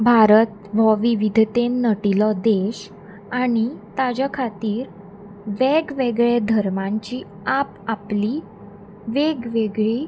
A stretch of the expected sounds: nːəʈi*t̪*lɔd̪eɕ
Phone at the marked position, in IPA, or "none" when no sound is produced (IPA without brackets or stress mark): none